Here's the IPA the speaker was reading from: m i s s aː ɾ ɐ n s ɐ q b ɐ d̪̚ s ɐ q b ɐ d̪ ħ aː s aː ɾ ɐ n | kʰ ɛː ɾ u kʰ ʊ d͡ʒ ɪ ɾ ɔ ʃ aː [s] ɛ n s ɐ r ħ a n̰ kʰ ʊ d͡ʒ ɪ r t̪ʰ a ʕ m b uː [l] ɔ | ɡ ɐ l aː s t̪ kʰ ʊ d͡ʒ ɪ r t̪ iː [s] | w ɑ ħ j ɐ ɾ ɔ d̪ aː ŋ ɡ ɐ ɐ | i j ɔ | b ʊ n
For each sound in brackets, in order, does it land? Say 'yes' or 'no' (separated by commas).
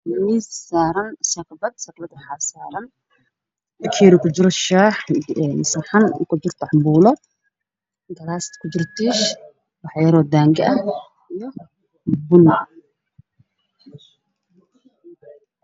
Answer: no, yes, no